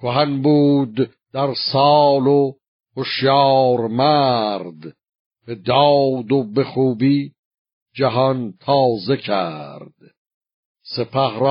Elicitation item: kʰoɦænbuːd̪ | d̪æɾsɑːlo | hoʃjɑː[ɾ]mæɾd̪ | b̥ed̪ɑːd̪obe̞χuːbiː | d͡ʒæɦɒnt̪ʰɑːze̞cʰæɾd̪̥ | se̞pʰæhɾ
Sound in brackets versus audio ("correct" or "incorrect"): correct